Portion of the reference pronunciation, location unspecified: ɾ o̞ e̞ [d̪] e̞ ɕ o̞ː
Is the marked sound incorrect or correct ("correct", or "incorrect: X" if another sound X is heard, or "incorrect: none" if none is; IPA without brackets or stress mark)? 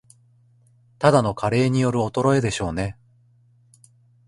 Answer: correct